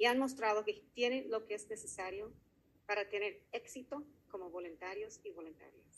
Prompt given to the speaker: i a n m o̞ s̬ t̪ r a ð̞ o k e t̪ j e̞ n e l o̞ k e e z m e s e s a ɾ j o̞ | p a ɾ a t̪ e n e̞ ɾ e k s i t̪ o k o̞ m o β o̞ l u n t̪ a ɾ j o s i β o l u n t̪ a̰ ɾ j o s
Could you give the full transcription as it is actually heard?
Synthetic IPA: i a n m o̞ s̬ t̪ ɾ a ð̞ o k e t̪ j e̞ n e l o̞ k e e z n e s e s a ɾ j o̞ | p a ɾ a t̪ e n e̞ ɾ e k s i t̪ o k o̞ m o β o̞ l u n t̪ a ɾ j o s i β o l u n t̪ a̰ ɾ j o s

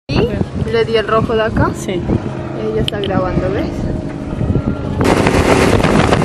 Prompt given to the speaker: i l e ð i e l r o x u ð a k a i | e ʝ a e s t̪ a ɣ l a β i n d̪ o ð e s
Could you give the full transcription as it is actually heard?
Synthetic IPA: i l e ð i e l r o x o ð a k a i | e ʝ a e s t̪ a ɣ ɾ a β a n d̪ o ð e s

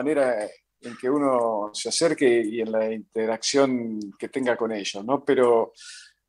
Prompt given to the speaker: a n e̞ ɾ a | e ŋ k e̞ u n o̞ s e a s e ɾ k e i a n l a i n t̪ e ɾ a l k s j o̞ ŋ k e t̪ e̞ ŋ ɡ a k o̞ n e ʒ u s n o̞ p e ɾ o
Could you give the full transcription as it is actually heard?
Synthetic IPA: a n e̞ ɾ a | e ŋ k e̞ u n o̞ s e a s e ɾ k e i e n l a i n t̪ e ɾ a k s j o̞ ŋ k e t̪ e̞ ŋ ɡ a k o̞ n e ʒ o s n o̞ p e ɾ o

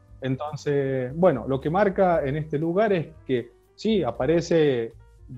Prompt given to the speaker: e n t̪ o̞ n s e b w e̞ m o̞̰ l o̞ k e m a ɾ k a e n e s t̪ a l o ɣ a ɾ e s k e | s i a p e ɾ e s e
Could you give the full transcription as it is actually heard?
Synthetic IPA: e n t̪ o̞ n s e b w e̞ n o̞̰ l o̞ k e m a ɾ k a e n e s t̪ e l u ɣ a ɾ e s k e | s i a p a ɾ e s e

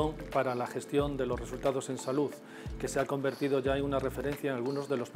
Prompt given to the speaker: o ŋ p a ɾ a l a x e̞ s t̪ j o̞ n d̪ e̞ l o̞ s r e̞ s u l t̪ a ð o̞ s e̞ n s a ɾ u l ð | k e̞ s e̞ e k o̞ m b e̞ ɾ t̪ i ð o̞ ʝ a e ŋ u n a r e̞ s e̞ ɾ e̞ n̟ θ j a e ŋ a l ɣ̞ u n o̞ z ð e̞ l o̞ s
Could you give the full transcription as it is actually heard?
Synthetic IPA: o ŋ p a ɾ a l a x e̞ s t̪ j o̞ n d̪ e̞ l o̞ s r e̞ s u l t̪ a ð o̞ s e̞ n s a l u ð | k e̞ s e̞ a k o̞ m b e̞ ɾ t̪ i ð o̞ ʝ a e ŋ u n a r e̞ f e̞ ɾ e̞ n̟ θ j a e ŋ a l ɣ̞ u n o̞ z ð e̞ l o̞ s

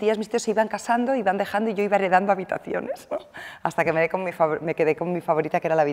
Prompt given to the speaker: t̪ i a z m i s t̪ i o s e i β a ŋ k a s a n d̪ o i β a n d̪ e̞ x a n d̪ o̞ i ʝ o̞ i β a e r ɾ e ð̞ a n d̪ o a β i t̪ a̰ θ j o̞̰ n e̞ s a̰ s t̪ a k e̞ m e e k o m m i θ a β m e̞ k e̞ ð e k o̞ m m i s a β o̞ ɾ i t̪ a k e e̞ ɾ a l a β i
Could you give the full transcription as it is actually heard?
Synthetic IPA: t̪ i a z m i s t̪ i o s e i β a ŋ k a s a n d̪ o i β a n d̪ e̞ x a n d̪ o̞ i ʝ o̞ i β a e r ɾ e ð̞ a n d̪ o a β i t̪ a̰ θ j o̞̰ n e̞ s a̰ s t̪ a k e̞ m e e k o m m i f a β m e̞ k e̞ ð e k o̞ m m i f a β o̞ ɾ i t̪ a k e e̞ ɾ a l a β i

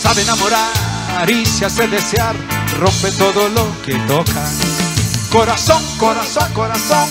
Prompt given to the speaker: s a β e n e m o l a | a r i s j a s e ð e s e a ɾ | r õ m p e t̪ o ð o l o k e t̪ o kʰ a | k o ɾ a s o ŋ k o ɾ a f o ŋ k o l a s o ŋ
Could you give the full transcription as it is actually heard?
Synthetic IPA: s a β e n a m o ɾ a | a ɾ i s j a s e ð e s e a ɾ | r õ m p e t̪ o ð o l o k e t̪ o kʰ a | k o ɾ a s o ŋ k o ɾ a s o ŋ k o ɾ a s o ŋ

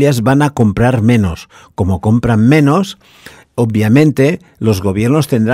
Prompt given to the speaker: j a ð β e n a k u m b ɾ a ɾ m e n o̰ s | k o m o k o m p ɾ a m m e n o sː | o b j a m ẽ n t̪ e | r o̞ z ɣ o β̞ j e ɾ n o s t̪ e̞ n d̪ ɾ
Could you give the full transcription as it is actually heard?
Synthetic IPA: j a z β a n a k o m p ɾ a ɾ m e n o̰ s | k o m o k o m p ɾ a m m e n o s | o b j a m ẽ n t̪ e | l o̞ z ɣ o β̞ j e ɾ n o s t̪ e̞ n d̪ ɾ

